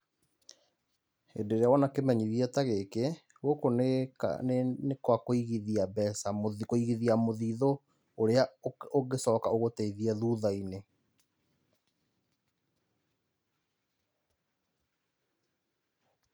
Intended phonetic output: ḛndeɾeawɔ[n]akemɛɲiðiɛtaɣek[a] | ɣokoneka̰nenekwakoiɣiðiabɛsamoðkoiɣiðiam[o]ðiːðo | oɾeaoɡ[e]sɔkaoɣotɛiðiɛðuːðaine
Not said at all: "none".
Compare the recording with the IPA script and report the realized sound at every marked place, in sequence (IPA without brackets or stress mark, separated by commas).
n, e, o, e